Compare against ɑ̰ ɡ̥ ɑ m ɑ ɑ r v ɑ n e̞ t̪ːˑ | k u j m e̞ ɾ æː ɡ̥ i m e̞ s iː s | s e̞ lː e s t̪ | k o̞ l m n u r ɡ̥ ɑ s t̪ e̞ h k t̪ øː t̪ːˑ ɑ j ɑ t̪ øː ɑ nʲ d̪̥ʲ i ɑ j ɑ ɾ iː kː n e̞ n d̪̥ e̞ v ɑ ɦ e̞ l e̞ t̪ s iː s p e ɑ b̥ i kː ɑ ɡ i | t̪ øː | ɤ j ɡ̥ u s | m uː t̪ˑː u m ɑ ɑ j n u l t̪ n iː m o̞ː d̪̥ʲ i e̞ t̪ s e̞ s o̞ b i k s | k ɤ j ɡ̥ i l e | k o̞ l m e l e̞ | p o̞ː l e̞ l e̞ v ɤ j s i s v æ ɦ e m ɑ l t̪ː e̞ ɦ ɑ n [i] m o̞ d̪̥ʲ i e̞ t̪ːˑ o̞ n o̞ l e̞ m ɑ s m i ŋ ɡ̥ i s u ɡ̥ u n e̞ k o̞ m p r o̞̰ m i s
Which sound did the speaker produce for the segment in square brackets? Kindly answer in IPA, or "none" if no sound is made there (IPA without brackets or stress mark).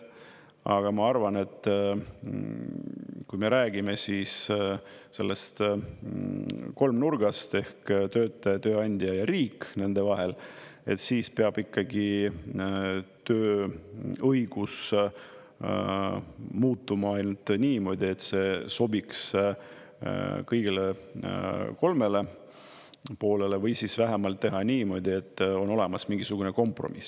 iː